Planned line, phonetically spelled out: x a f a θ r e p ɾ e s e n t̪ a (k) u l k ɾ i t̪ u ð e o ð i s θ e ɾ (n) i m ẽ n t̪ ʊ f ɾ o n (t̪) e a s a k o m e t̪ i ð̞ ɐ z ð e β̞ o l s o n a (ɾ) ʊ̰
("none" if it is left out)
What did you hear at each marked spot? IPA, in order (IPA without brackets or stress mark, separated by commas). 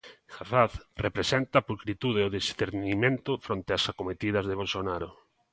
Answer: p, n, t̪, ɾ